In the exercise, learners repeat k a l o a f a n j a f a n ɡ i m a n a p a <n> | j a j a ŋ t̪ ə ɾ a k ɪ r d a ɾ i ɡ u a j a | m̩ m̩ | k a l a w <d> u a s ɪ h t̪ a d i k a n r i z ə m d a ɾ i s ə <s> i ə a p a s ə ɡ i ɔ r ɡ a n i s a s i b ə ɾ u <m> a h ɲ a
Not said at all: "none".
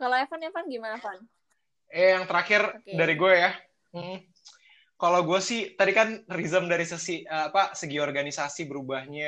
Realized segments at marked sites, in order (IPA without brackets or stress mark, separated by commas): n, ɡ, s, b